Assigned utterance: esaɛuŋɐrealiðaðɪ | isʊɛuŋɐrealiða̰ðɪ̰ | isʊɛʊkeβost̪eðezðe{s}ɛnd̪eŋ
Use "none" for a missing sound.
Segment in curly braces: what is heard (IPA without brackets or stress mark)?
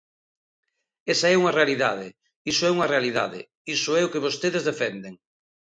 f